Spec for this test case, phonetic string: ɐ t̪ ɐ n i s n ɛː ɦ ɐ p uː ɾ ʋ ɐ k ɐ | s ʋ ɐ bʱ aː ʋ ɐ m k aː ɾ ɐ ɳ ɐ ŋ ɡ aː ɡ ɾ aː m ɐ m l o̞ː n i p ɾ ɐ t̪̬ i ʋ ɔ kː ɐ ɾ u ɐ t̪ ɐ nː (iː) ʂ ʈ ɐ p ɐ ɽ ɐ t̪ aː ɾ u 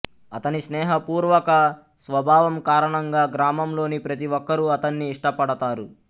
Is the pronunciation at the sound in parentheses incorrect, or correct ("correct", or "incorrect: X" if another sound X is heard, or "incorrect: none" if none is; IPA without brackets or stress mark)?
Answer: correct